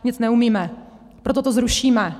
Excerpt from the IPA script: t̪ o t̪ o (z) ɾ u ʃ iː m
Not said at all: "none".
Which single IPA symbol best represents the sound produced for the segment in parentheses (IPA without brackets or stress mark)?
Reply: z